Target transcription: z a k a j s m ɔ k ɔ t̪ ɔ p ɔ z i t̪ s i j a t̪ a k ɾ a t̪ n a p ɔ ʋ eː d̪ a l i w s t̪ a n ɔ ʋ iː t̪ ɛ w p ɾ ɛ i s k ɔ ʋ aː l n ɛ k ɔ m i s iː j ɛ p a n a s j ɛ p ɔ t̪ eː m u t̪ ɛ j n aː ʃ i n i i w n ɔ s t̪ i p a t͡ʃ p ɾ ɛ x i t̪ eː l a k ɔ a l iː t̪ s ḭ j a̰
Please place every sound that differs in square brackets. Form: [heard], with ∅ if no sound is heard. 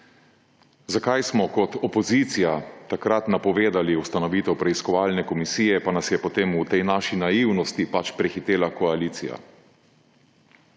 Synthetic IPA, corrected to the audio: z a k a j s m ɔ k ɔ t̪ ɔ p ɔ z i t̪ s i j a t̪ a k ɾ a t̪ n a p ɔ ʋ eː d̪ a l i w s t̪ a n ɔ ʋ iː t̪ ɛ w p ɾ ɛ i s k ɔ ʋ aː l n ɛ k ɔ m i s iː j ɛ p a n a s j ɛ p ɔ t̪ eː m u t̪ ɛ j n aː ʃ i n [a] i w n ɔ s t̪ i p a t͡ʃ p ɾ ɛ x i t̪ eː l a k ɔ a l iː t̪ s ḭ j a̰